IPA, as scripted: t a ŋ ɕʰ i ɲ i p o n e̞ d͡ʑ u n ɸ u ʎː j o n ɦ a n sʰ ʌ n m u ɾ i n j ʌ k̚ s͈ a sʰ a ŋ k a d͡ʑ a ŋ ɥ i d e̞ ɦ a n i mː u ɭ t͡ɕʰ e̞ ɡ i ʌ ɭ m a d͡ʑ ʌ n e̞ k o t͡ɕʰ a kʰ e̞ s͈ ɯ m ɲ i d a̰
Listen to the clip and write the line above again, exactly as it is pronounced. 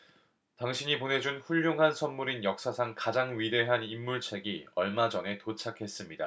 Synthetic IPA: t a ŋ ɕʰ i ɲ i p o n e̞ d͡ʑ u n ɸ u ʎː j o ŋ ɦ a n sʰ ʌ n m u ɾ i n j ʌ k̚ s͈ a sʰ a ŋ k a d͡ʑ a ŋ ɥ i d e̞ ɦ a n i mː u ɭ t͡ɕʰ e̞ ɡ i ʌ ɭ m a d͡ʑ ʌ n e̞ t o t͡ɕʰ a kʰ e̞ s͈ ɯ m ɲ i d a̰